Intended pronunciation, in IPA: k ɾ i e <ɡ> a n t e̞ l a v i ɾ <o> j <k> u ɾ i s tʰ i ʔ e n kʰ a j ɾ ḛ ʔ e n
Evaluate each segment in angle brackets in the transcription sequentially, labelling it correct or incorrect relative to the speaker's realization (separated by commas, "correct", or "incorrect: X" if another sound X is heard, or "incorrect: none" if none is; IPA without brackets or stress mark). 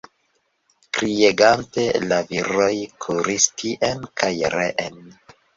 correct, correct, incorrect: kʰ